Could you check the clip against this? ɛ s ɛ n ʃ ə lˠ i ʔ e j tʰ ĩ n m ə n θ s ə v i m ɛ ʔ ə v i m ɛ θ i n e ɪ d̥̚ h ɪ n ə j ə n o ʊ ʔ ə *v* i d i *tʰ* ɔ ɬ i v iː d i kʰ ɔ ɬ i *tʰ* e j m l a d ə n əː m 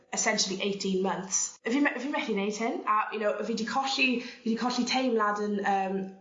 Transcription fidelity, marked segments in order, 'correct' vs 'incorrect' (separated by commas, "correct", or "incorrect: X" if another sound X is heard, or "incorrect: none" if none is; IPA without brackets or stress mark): correct, incorrect: kʰ, correct